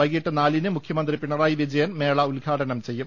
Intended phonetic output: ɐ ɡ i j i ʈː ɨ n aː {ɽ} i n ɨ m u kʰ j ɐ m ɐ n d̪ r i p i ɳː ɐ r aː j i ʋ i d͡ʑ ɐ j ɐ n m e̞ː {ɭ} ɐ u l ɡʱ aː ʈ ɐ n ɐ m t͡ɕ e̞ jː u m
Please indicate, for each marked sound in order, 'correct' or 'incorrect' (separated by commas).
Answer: incorrect, correct